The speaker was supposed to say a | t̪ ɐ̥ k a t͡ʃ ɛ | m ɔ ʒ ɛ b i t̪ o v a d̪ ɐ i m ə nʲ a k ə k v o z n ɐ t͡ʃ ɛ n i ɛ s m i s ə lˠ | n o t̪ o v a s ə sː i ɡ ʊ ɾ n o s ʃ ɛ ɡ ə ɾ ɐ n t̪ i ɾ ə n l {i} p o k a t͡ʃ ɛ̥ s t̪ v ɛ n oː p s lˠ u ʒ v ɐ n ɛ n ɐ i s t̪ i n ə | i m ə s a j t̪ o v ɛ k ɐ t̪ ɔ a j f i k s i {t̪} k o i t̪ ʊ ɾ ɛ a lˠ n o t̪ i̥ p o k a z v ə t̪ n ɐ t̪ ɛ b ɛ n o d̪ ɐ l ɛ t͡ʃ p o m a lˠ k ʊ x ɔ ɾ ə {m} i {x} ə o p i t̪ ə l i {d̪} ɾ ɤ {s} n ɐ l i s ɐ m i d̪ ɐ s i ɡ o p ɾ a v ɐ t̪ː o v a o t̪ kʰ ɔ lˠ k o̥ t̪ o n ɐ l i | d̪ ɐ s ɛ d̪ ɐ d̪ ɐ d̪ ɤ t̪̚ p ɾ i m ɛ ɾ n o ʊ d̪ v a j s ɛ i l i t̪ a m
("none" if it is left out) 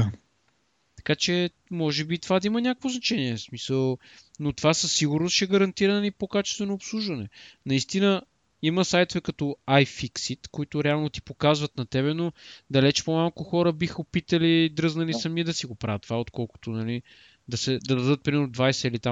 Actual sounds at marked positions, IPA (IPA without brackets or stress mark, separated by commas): i, t̪, b, x, d̪, z